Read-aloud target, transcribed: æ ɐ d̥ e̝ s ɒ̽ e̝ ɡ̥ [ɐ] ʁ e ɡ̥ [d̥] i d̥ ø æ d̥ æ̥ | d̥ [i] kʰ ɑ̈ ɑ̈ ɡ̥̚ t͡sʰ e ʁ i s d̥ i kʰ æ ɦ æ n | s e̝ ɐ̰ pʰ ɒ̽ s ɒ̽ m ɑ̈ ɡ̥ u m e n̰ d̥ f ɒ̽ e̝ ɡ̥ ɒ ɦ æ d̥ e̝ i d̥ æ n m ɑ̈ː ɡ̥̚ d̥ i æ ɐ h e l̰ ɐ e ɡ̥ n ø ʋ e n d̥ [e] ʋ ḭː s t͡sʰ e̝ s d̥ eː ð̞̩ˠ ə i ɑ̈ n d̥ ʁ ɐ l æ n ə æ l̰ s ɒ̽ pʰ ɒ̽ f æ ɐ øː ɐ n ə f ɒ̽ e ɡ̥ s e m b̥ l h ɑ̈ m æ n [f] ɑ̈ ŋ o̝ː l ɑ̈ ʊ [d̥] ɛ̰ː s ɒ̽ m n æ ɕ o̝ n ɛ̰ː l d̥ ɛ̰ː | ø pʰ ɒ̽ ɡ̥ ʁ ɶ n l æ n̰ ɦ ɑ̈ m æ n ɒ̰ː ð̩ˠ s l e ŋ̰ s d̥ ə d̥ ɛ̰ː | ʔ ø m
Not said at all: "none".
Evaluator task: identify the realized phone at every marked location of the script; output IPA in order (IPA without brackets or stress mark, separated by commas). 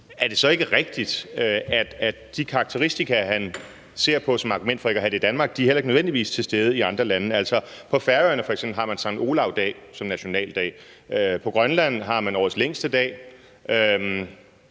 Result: ə, d̥, i, i, s, d̥